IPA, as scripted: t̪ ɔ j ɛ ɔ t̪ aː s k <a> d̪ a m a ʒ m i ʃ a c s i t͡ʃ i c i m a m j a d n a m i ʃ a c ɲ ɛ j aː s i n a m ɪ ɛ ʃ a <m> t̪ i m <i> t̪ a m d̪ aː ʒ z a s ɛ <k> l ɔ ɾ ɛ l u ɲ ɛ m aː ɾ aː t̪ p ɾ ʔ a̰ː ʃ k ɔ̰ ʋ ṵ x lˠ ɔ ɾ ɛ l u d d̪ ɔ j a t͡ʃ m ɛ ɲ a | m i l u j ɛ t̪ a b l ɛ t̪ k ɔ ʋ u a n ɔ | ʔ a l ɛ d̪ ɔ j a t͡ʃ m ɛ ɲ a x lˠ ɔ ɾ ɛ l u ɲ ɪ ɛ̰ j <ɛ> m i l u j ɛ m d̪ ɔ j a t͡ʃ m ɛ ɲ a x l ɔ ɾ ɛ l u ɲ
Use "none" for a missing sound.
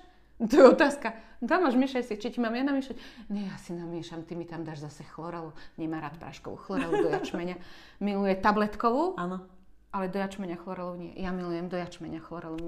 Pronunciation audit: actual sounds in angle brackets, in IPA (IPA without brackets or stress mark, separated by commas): a, m, i, x, a